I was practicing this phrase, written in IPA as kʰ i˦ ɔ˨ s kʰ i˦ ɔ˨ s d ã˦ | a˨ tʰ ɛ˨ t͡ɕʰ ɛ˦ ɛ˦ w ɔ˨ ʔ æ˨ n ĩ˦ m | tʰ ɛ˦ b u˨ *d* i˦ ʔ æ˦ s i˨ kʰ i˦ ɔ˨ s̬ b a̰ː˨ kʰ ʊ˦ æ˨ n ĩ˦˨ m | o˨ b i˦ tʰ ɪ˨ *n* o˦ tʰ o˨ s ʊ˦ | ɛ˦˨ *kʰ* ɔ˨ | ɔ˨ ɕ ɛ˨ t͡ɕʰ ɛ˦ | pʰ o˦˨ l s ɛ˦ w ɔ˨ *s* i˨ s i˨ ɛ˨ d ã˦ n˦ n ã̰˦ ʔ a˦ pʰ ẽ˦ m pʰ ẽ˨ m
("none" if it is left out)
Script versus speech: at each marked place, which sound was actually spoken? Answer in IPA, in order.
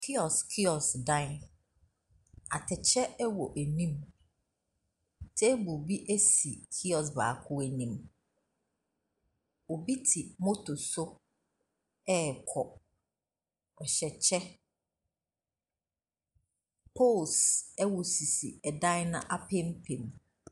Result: b, m, kʰ, s

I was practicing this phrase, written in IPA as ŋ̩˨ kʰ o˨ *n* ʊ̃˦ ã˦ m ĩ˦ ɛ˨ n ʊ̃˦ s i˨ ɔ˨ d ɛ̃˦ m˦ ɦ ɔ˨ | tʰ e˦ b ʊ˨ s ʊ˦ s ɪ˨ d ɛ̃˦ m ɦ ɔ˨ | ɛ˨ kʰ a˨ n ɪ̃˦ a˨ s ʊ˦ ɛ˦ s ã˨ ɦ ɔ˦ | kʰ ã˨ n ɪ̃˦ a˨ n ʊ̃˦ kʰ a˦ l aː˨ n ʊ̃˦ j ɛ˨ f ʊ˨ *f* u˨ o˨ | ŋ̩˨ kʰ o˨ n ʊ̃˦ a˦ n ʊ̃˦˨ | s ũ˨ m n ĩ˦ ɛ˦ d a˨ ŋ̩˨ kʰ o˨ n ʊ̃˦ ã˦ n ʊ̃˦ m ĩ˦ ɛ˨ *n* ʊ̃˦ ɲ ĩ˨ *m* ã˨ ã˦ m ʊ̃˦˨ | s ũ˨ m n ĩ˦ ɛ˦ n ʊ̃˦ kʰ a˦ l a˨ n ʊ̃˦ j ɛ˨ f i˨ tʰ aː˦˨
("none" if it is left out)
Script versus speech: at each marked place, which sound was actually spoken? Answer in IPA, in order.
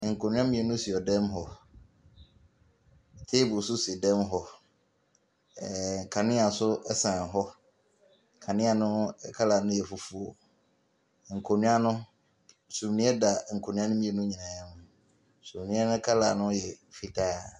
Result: n, f, n, n

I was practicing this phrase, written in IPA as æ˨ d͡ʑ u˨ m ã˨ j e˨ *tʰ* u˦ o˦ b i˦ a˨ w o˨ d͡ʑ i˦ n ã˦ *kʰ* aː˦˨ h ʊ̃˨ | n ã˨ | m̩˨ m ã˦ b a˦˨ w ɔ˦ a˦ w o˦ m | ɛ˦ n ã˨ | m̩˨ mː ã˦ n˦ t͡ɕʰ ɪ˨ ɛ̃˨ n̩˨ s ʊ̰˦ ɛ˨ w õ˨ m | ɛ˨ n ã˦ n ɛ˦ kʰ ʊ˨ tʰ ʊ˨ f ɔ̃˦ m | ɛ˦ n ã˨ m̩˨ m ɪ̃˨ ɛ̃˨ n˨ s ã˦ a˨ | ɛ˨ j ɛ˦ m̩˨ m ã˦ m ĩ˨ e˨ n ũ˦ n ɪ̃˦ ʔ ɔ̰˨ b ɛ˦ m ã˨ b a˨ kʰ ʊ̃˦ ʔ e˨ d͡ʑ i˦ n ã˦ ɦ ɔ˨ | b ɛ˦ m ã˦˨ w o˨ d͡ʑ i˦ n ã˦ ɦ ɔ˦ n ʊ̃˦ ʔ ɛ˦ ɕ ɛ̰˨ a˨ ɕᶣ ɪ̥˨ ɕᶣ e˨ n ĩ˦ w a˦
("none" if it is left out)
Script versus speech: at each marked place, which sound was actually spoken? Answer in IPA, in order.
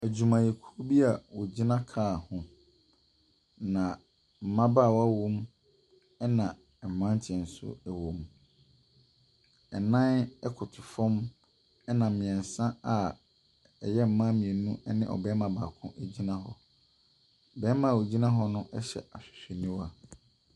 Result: kʰ, kʰ

